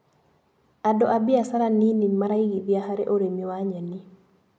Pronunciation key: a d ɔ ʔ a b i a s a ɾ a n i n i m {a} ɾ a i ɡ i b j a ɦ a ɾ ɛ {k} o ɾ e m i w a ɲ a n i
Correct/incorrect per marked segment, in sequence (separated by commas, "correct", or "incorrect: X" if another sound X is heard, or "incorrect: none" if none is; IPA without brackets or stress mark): correct, incorrect: ʔ